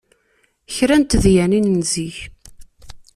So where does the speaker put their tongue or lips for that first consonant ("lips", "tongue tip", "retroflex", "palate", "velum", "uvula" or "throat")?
palate